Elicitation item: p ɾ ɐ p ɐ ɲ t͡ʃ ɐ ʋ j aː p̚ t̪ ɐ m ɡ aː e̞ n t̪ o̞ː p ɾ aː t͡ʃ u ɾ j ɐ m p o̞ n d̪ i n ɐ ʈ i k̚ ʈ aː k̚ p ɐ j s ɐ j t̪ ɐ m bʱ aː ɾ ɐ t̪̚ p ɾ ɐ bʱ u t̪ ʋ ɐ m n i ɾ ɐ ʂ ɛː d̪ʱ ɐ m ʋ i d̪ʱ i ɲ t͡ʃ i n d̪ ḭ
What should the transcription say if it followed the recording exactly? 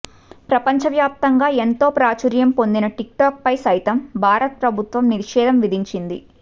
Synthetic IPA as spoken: p ɾ ɐ p ɐ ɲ t͡ʃ ɐ ʋ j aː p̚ t̪ ɐ ŋ ɡ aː e̞ n t̪ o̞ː p ɾ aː t͡ʃ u ɾ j ɐ m p o̞ n d̪ i n ɐ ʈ i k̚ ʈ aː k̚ p ɐ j s ɐ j t̪ ɐ m bʱ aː ɾ ɐ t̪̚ p ɾ ɐ bʱ u t̪ ʋ ɐ m n i ɾ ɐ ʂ ɛː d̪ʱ ɐ m ʋ i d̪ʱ i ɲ t͡ʃ i n d̪ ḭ

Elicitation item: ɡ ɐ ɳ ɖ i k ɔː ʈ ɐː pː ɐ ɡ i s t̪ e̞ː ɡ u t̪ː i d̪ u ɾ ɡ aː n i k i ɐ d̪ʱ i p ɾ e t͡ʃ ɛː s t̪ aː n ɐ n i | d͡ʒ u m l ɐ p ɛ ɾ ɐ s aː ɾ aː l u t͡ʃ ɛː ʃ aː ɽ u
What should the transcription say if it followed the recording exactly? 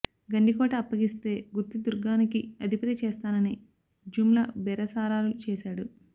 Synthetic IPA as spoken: ɡ ɐ ɳ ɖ i k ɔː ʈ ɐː pː ɐ ɡ i s t̪ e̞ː ɡ u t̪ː i d̪ u ɾ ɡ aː n i k i ɐ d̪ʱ i p ɾ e t͡ʃ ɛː s t̪ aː n ɐ n i | d͡ʒ u m l ɐ b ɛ ɾ ɐ s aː ɾ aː l u t͡ʃ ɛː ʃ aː ɽ u

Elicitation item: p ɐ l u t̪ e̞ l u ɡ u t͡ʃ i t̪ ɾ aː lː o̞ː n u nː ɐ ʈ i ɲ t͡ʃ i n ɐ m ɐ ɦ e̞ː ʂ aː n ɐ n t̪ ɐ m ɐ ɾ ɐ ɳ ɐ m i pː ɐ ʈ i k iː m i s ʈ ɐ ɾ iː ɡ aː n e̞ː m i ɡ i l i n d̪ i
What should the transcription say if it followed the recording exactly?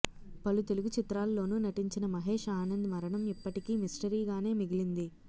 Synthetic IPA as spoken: p ɐ l u t̪ e̞ l u ɡ u t͡ʃ i t̪ ɾ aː lː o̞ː n u n ɐ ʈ i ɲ t͡ʃ i n ɐ m ɐ ɦ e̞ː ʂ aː n ɐ n d̪ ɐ m ɐ ɾ ɐ ɳ ɐ m i pː ɐ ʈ i k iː m i s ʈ ɐ ɾ iː ɡ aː n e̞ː m i ɡ i l i n d̪ i

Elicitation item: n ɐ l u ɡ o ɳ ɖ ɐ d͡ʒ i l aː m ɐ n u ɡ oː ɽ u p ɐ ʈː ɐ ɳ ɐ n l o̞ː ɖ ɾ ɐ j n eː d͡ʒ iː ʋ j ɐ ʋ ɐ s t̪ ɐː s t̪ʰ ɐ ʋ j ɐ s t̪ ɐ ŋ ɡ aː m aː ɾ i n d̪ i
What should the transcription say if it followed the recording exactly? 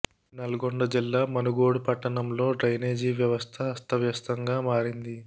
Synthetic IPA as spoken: n ɐ l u ɡ o ɳ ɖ ɐ d͡ʒ i lː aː m ɐ n u ɡ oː ɽ u p ɐ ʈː ɐ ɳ ɐ m l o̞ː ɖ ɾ ɐ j n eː d͡ʒ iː ʋ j ɐ ʋ ɐ s t̪ʰ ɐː s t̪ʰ ɐ ʋ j ɐ s t̪ ɐ ŋ ɡ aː m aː ɾ i n d̪ i

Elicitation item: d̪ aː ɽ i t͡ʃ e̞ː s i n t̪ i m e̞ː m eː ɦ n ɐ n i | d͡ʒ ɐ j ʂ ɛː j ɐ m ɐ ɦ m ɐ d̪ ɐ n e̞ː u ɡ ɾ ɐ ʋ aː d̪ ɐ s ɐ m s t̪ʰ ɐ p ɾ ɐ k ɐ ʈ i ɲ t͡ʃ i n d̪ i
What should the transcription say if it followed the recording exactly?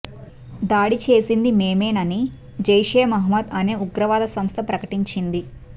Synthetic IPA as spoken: d̪ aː ɽ i t͡ʃ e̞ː s i n d̪ i m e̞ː m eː n ɐ n i | d͡ʒ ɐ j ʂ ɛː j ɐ m ɐ ɦ m ɐ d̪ ɐ n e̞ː u ɡ ɾ ɐ ʋ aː d̪ ɐ s ɐ m s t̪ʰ ɐ p ɾ ɐ k ɐ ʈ i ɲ t͡ʃ i n d̪ i

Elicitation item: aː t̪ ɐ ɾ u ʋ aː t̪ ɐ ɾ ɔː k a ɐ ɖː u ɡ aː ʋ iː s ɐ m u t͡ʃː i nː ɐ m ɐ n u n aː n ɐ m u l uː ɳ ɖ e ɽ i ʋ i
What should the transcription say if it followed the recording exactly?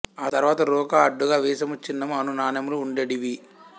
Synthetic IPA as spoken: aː t̪ ɐ ɾ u ʋ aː t̪ ɐ ɾ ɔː k a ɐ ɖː u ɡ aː ʋ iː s ɐ m u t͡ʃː i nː ɐ m ɐ n u n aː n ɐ m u l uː ɳ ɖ e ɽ i ʋ i

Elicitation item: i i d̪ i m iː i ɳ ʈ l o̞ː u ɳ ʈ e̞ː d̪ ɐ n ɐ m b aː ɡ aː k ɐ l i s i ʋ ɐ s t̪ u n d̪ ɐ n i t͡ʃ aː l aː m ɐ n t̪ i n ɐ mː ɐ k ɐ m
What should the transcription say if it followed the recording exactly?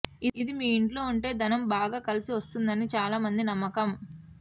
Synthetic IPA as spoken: i i d̪ i m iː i ɳ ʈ l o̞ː u ɳ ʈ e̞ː d̪ ɐ n ɐ m b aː ɡ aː k ɐ l i s i ʋ ɐ s t̪ u n d̪ ɐ n i t͡ʃ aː l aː m ɐ n d̪ i n ɐ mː ɐ k ɐ m

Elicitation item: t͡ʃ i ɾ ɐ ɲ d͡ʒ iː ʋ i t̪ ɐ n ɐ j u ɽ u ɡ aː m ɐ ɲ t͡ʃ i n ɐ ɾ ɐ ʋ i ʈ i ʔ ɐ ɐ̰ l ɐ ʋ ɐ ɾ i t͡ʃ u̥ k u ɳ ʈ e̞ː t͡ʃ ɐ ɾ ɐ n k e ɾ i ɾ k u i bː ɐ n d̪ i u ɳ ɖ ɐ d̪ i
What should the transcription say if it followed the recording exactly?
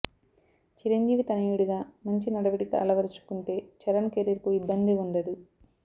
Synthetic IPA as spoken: t͡ʃ i ɾ ɐ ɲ d͡ʒ iː ʋ i t̪ ɐ n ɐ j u ɽ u ɡ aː m ɐ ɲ t͡ʃ i n ɐ ɽ ɐ ʋ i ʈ i k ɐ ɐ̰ l ɐ ʋ ɐ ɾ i t͡ʃ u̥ k u ɳ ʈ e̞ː t͡ʃ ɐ ɾ ɐ n k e ɾ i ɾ k u i bː ɐ n d̪ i u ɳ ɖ ɐ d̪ i

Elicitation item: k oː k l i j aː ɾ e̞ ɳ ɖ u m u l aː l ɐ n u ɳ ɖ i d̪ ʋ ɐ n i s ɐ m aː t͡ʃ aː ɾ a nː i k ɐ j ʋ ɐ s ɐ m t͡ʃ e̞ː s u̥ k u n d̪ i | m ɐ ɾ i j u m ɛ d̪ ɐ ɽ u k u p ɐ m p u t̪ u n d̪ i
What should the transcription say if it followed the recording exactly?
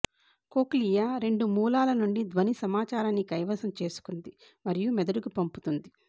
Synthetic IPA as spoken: k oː k l i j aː ɾ e̞ ɳ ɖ u m uː l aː l ɐ n u ɳ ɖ i d̪ ʋ ɐ n i s ɐ m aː t͡ʃ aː ɾ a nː i k ɐ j ʋ ɐ s ɐ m t͡ʃ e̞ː s u̥ k u n d̪ i | m ɐ ɾ i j u m ɛ d̪ ɐ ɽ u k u p ɐ m p u t̪ u n d̪ i

